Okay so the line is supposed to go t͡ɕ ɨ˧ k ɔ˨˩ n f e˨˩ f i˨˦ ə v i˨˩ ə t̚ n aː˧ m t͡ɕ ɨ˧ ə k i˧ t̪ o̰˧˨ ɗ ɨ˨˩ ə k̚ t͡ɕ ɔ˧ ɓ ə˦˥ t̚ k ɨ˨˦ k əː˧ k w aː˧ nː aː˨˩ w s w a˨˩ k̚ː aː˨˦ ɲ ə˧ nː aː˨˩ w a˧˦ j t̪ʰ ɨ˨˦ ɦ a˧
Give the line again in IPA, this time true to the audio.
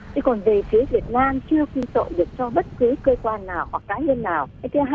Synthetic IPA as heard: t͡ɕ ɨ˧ k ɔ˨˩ n v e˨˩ f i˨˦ ə v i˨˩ ə t̚ n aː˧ m t͡ɕ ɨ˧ ə k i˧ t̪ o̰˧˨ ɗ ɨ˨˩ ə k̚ t͡ɕ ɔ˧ ɓ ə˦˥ t̚ k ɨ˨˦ k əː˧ k w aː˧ nː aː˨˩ w h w a˨˩ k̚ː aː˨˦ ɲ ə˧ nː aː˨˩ w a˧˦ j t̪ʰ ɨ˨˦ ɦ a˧